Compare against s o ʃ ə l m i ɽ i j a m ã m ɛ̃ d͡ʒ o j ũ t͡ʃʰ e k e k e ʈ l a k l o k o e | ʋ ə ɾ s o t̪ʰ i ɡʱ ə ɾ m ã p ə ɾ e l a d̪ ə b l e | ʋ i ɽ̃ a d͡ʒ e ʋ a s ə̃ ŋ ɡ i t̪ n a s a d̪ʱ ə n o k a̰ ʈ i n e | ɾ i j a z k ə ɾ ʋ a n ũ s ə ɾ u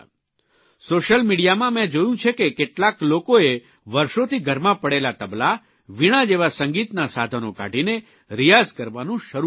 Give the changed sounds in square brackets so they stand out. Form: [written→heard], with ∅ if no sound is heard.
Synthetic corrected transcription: s o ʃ ə l m i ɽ i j a m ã m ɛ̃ d͡ʒ o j ũ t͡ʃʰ e k e k e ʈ l a k l o k o e | ʋ ə ɾ [s→ʃ] o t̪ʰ i ɡʱ ə ɾ m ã p ə [ɾ→ɽ] e l a [d̪→t̪] ə b l [e→a] | ʋ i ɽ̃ a d͡ʒ e ʋ a s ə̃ ŋ ɡ i t̪ n a s a d̪ʱ ə n o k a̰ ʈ i n e | ɾ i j a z k ə ɾ ʋ a n ũ [s→ʃ] ə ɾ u